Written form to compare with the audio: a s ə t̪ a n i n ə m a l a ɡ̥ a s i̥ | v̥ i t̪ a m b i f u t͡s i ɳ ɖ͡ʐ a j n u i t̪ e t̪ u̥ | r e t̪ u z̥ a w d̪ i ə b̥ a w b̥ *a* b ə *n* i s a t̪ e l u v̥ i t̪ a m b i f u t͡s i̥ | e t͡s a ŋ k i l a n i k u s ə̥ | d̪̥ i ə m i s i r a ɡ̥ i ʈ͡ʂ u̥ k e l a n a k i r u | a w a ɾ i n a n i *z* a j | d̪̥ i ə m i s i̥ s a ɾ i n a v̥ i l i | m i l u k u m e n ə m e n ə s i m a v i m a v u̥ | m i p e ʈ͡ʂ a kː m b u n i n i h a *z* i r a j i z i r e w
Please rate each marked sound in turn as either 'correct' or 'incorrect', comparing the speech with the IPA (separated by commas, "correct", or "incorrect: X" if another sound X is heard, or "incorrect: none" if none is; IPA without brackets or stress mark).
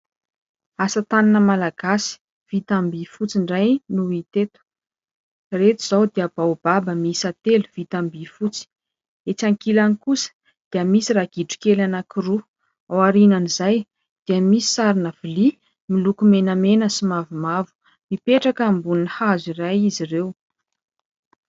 correct, incorrect: m, correct, correct